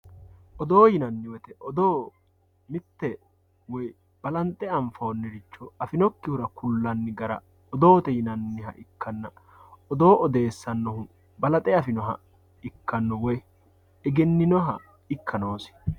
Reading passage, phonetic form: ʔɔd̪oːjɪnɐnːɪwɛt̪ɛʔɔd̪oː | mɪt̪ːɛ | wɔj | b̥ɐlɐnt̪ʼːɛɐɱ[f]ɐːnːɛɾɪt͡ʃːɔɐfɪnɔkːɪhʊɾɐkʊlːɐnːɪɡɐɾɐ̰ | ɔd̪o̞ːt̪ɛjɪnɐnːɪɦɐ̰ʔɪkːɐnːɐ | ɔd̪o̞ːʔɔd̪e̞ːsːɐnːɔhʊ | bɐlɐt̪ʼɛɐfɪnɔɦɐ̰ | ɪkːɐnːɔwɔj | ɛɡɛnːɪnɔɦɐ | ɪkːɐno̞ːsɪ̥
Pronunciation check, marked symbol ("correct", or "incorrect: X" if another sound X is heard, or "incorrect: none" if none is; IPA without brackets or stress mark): correct